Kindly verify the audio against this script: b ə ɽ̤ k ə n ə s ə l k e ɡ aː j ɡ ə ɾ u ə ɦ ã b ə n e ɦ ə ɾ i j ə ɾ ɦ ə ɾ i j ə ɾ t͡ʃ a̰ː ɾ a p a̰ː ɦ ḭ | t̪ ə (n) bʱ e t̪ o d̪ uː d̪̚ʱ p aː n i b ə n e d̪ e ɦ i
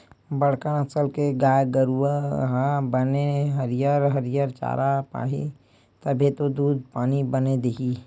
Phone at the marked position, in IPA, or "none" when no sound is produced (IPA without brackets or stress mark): none